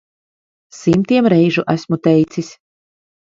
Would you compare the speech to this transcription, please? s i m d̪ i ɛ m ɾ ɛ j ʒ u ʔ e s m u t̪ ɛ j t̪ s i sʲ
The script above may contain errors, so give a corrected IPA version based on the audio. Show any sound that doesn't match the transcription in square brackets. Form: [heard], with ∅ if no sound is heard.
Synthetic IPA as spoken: s i m [t̪] i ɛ m ɾ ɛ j ʒ u ʔ [æ] s m u t̪ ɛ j t̪ s i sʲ